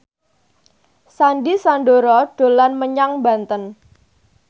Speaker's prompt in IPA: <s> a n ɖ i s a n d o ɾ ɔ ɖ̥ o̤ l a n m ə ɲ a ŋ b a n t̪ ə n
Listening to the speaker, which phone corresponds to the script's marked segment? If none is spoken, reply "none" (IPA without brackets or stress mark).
s